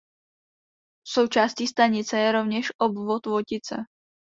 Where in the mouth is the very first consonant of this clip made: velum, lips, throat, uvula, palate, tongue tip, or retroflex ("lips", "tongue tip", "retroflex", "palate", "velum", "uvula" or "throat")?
tongue tip